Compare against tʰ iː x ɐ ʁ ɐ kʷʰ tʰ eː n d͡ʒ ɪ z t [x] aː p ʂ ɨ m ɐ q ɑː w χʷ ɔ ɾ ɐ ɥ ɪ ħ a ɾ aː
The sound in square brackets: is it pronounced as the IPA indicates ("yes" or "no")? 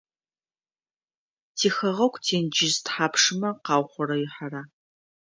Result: no